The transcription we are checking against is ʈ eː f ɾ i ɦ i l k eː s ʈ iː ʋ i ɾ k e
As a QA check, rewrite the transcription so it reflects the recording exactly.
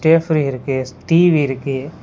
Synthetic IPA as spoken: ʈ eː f ɾ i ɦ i ɾ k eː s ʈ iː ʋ i ɾ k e